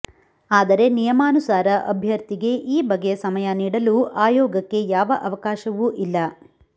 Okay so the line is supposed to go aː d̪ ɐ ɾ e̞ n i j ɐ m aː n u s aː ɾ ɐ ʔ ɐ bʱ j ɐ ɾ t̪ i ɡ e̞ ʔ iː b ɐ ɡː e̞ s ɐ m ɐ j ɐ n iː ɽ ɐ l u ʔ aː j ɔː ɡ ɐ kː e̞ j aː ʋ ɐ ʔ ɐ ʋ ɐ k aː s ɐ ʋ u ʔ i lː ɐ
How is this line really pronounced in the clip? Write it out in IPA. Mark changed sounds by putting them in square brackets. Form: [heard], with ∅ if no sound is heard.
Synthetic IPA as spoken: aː d̪ ɐ ɾ e̞ n i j ɐ m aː n u s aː ɾ ɐ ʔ ɐ bʱ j ɐ ɾ t̪ i ɡ e̞ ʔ iː b ɐ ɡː e̞ s ɐ m ɐ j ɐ n iː ɽ ɐ l u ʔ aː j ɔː ɡ ɐ kː e̞ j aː ʋ ɐ ʔ ɐ ʋ ɐ k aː [ʃ] ɐ ʋ u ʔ i lː ɐ